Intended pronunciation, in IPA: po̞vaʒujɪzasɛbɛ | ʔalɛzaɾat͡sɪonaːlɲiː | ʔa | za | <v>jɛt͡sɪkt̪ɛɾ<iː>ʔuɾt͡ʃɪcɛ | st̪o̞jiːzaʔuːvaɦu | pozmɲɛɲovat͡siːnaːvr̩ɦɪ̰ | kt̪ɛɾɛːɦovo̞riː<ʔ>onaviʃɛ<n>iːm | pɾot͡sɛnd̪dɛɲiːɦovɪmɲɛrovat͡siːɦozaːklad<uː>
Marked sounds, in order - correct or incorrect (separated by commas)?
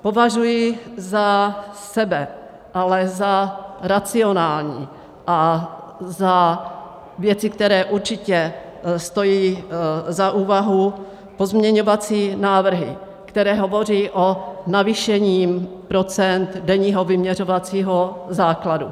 correct, incorrect, correct, incorrect, incorrect